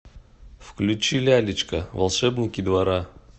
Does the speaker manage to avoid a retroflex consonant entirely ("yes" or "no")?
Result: no